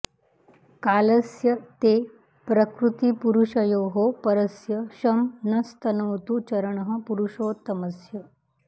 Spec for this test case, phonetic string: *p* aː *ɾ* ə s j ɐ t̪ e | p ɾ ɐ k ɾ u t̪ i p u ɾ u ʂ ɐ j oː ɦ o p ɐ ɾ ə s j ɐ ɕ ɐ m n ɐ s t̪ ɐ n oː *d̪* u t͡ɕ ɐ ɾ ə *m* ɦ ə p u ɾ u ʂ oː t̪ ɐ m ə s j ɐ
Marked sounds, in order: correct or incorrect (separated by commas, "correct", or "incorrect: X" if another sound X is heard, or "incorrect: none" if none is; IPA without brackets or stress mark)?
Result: incorrect: k, incorrect: l, incorrect: t̪, incorrect: ɳ